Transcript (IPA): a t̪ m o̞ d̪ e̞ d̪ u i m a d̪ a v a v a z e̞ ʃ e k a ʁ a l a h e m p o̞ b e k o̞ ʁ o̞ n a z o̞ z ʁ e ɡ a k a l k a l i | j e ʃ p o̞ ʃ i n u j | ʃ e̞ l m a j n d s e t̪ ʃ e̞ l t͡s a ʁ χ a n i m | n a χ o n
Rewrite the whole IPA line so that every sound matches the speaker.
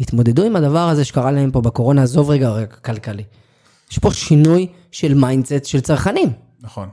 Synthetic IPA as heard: i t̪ m o̞ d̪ e̞ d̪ u i m a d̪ a v a ʁ a z e̞ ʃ e k a ʁ a l a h e m p o̞ b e k o̞ ʁ o̞ n a z o̞ v ʁ e ɡ a k a l k a l i | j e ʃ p o̞ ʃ i n u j | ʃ e̞ l m a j n d s e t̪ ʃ e̞ l t͡s a ʁ χ a n i m | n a χ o n